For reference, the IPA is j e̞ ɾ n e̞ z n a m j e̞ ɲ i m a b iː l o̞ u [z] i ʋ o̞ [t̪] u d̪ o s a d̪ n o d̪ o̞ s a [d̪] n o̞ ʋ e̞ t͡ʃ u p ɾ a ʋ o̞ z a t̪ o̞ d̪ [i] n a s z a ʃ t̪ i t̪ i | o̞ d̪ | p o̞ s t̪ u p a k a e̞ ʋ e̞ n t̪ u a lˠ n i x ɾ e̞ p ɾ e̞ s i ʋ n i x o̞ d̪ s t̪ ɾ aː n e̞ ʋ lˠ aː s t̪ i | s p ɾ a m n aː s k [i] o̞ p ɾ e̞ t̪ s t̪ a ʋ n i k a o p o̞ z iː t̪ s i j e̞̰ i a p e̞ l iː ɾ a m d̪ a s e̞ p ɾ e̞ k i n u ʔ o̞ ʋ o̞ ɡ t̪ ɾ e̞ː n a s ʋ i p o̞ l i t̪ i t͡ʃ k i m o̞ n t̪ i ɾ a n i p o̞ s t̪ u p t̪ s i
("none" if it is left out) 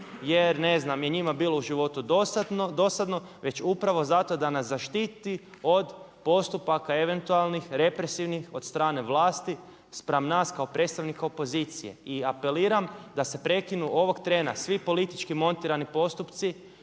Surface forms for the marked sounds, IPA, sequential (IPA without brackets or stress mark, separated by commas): ʒ, t̪, d̪, a, a